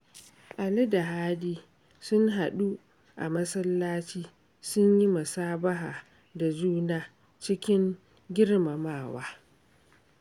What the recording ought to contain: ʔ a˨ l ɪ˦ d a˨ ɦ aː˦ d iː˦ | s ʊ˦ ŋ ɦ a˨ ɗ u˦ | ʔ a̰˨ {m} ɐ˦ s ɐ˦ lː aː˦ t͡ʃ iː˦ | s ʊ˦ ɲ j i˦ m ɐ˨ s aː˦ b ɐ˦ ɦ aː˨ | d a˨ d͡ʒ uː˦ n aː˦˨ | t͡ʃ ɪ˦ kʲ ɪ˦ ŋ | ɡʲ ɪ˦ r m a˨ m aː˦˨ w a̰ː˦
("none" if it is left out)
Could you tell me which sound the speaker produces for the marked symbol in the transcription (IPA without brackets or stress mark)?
m